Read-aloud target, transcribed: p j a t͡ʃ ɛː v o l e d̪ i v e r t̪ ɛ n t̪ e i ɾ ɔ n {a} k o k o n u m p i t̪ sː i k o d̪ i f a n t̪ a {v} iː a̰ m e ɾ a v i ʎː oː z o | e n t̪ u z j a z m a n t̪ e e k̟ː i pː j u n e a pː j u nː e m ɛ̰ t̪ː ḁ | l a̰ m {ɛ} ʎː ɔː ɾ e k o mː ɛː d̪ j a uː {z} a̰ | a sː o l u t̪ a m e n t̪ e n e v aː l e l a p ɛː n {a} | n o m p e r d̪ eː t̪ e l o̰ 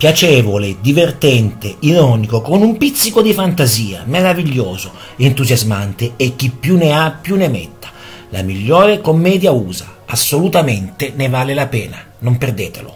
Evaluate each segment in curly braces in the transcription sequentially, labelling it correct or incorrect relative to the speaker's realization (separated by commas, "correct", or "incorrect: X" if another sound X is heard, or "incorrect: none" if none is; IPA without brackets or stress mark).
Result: incorrect: i, incorrect: z, incorrect: i, correct, correct